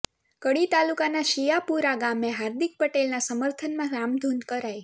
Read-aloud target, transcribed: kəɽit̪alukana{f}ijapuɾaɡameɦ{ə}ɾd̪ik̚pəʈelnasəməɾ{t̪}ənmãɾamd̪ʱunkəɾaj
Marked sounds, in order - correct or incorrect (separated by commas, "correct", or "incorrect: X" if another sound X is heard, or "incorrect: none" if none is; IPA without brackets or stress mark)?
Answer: incorrect: ʃ, incorrect: a, incorrect: t̪ʰ